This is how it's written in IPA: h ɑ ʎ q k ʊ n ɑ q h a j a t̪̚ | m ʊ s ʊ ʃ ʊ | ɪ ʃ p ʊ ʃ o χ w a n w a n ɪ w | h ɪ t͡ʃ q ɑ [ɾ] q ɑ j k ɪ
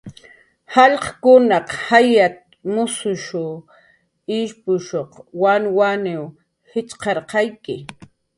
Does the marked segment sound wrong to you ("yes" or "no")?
no